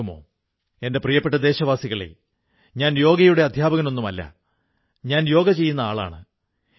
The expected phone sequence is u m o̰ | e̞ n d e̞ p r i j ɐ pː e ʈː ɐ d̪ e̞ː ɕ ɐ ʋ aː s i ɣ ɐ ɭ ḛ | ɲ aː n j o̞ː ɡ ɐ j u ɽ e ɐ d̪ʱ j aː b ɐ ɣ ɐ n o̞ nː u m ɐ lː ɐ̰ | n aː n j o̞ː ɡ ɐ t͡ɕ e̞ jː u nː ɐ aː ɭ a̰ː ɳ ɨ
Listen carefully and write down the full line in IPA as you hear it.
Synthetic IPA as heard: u m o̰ | e̞ n d e̞ p r i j ɐ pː e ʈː ɐ d̪ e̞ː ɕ ɐ ʋ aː s i ɣ ɐ ɭ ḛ | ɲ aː n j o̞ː ɡ ɐ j u ɽ e ɐ d̪ʱ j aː b ɐ ɣ ɐ n o̞ nː u m ɐ lː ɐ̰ | ɲ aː n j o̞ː ɡ ɐ t͡ɕ e̞ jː u nː ɐ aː ɭ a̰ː ɳ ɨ